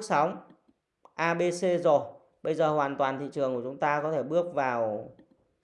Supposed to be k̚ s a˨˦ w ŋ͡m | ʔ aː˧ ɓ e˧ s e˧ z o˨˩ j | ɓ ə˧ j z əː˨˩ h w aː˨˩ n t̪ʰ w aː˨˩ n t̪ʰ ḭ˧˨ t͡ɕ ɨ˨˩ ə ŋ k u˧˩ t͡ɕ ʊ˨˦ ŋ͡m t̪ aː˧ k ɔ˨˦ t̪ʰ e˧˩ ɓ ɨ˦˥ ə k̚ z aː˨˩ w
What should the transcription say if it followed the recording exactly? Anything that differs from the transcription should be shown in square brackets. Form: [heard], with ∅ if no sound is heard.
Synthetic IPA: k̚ s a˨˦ w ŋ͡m | ʔ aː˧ ɓ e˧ s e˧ z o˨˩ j | ɓ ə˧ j z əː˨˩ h w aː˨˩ n [t̪] w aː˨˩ n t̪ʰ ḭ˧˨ t͡ɕ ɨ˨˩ ə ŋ k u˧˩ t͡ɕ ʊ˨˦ ŋ͡m t̪ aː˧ k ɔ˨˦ t̪ʰ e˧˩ ɓ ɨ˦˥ ə k̚ [v] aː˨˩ w

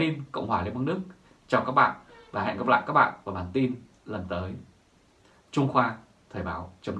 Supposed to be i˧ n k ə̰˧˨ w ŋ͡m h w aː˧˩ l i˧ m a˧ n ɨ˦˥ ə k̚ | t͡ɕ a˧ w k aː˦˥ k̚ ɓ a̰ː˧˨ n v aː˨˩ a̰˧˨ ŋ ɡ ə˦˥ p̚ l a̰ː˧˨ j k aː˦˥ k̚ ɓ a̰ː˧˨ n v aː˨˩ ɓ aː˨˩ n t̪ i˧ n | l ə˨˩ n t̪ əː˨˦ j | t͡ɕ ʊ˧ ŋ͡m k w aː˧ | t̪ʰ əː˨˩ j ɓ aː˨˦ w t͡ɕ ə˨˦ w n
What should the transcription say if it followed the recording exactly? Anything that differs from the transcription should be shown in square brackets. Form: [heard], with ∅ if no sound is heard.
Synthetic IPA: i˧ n k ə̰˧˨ w ŋ͡m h w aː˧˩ l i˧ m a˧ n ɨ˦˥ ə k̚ | t͡ɕ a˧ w k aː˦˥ k̚ ɓ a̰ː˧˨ n v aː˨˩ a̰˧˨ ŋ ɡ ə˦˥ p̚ l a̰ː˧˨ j k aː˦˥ k̚ ɓ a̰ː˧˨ n v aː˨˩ ɓ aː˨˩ n t̪ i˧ n | l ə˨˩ n t̪ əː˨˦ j | t͡ɕ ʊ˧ ŋ͡m [x] w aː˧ | t̪ʰ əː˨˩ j ɓ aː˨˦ w t͡ɕ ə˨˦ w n

